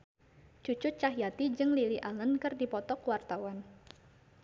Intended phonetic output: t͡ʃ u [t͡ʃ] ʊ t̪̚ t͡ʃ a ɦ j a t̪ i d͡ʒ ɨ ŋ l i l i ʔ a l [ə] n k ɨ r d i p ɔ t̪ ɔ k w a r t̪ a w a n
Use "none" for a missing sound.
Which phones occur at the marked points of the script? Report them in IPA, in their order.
t͡ʃ, ə

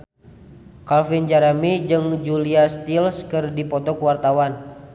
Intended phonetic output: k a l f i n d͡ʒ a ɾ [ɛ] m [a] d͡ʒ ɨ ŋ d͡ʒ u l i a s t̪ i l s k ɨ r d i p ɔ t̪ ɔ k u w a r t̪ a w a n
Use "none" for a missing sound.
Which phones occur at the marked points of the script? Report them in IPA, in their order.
a, i

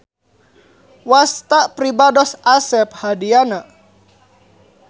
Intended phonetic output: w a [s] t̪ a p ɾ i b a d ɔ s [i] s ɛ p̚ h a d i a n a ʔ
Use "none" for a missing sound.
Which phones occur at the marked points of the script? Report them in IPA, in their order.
s, a

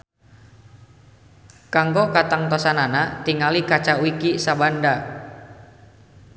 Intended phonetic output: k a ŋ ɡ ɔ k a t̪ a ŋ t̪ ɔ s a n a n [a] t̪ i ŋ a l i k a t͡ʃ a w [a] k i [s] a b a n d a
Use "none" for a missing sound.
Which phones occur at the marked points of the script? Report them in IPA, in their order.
a, i, s

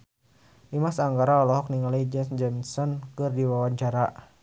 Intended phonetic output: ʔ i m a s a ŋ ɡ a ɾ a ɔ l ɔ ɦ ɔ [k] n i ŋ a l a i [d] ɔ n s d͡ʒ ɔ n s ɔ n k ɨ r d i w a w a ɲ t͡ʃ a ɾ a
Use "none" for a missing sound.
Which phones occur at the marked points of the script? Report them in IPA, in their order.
k, d͡ʒ

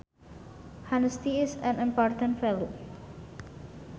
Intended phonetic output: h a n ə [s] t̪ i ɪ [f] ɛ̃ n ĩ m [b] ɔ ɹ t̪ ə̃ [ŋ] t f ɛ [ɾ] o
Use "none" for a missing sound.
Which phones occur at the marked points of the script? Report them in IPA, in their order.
s, s, p, n, l

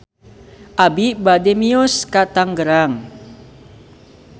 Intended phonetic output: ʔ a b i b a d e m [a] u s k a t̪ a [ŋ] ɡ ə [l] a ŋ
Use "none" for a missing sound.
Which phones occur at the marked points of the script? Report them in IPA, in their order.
i, ŋ, ɾ

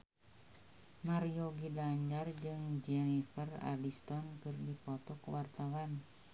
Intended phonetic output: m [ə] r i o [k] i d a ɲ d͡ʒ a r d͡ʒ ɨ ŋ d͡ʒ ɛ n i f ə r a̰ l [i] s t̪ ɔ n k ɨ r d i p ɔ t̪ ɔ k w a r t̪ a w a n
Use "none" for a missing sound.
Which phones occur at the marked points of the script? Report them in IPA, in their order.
a, ɡ, i

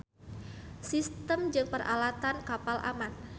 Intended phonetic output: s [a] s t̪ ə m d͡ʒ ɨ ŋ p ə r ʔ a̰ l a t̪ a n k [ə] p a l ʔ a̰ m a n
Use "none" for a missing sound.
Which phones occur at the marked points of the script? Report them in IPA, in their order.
i, a

